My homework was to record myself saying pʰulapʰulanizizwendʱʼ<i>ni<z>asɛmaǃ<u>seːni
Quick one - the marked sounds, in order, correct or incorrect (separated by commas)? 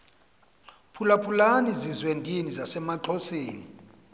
correct, correct, incorrect